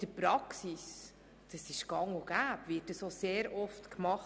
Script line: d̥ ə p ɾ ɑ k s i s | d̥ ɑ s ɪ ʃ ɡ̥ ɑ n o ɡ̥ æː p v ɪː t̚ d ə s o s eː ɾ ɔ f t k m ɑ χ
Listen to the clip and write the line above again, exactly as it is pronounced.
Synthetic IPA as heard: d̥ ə p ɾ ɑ k s i s | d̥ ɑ s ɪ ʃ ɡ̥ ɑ ŋ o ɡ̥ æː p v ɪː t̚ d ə s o s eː ɾ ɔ f t k m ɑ χ